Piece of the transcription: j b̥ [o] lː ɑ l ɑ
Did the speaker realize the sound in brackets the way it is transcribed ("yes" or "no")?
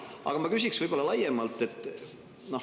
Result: yes